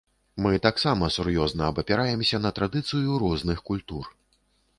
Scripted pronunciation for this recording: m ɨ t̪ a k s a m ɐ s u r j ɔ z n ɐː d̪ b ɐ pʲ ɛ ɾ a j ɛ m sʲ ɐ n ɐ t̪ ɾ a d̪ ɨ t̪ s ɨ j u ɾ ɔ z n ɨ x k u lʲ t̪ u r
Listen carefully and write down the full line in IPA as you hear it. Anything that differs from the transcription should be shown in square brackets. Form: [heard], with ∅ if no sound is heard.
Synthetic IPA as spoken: m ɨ t̪ a k s a m ɐ s u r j ɔ z n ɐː [∅] b ɐ pʲ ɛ ɾ a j ɛ m sʲ ɐ n ɐ t̪ ɾ a d̪ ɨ t̪ s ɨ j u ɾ ɔ z n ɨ x k u lʲ t̪ u r

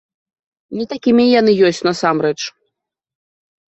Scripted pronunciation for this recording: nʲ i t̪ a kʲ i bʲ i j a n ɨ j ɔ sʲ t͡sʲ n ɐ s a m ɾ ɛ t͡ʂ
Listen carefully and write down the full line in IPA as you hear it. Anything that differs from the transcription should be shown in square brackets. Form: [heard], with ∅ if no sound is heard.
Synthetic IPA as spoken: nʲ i t̪ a kʲ i [mʲ] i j a n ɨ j ɔ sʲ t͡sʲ n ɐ s a m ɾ ɛ t͡ʂ

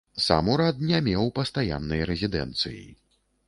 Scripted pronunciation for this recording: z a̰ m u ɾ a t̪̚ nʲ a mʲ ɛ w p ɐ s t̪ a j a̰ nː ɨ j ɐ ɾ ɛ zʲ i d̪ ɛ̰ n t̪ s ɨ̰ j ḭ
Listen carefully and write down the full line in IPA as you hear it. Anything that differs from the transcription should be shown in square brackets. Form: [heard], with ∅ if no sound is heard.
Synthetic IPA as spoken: [s] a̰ m u ɾ a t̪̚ nʲ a mʲ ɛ w p ɐ s t̪ a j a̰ nː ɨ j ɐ ɾ ɛ zʲ i d̪ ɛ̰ n t̪ s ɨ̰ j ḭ

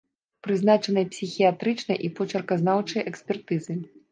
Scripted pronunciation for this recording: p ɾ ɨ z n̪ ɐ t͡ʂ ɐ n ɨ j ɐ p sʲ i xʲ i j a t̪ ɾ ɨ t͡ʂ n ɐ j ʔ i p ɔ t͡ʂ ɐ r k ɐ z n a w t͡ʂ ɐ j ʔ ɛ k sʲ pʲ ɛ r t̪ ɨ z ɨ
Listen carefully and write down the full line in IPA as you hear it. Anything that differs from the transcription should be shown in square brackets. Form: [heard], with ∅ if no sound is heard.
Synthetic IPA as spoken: p ɾ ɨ z n̪ [a] t͡ʂ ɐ n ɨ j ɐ p sʲ i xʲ i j a t̪ ɾ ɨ t͡ʂ n ɐ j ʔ i p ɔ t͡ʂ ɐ r k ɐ z n a w t͡ʂ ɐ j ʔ ɛ k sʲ pʲ ɛ r t̪ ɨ z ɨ

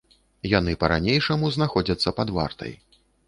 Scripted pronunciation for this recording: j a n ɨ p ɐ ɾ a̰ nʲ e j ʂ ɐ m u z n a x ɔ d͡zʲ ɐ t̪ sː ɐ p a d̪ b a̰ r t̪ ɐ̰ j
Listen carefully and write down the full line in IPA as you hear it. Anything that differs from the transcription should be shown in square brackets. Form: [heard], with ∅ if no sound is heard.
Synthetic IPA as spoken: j a n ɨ p ɐ ɾ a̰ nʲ e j ʂ ɐ m u z n a x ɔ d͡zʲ ɐ t̪ sː ɐ p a d̪ [v] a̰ r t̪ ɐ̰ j

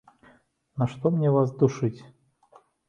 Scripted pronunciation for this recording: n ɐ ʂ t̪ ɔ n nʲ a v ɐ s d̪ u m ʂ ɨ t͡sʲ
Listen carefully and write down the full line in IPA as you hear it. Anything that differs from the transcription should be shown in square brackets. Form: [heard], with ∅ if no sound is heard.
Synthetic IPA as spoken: n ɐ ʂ t̪ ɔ [m] nʲ [ɛ] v [a] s d̪ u [∅] ʂ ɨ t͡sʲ

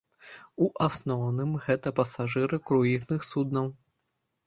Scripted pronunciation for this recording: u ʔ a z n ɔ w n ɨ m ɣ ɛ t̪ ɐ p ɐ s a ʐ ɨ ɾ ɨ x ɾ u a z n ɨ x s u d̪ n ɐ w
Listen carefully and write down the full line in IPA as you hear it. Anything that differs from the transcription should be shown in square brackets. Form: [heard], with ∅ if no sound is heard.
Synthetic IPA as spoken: u ʔ a [s] n ɔ w n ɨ m ɣ ɛ t̪ ɐ p ɐ s a ʐ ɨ ɾ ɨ [k] ɾ u [i] z n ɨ x s u d̪ n ɐ w

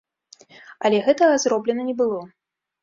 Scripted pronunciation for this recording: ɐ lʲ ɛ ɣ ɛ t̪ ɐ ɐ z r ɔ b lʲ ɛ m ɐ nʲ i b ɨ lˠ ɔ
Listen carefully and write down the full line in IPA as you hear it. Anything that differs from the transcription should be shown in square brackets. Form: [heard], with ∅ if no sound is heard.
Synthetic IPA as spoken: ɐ lʲ ɛ ɣ ɛ t̪ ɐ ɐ z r ɔ b lʲ ɛ [n] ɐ nʲ [ɛ] b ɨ lˠ ɔ

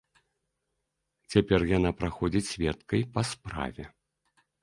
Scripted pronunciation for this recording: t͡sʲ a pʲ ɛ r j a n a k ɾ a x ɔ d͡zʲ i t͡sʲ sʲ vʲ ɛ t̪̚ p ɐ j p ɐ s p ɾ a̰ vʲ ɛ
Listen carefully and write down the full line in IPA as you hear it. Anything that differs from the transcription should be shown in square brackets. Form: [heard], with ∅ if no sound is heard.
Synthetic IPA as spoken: t͡sʲ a pʲ ɛ r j a n a [p] ɾ a x ɔ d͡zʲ i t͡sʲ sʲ vʲ ɛ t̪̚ [k] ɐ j p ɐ s p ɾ a̰ vʲ ɛ

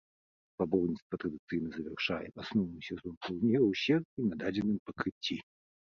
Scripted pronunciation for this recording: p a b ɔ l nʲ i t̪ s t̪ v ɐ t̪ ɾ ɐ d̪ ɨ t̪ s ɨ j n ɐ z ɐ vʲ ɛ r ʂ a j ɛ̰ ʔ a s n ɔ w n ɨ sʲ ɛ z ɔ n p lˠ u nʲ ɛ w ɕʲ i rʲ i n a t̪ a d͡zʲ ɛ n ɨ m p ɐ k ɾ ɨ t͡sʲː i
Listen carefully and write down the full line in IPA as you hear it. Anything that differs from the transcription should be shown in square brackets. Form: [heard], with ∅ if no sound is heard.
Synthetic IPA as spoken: p a b ɔ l nʲ i t̪ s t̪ v ɐ t̪ ɾ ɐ d̪ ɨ t̪ s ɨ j n ɐ z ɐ vʲ ɛ r ʂ a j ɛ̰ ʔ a s n ɔ w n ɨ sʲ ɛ z ɔ n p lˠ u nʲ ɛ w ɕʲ [ɛ] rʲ i n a [d̪] a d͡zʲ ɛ n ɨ m p ɐ k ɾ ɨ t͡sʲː i

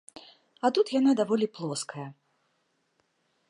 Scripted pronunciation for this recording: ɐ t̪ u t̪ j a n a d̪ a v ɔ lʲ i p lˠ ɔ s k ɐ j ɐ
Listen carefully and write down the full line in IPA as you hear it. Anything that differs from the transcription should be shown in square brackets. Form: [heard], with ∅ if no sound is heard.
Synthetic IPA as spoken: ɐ t̪ u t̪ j a n a d̪ a v ɔ lʲ i p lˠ ɔ s k ɐ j ɐ

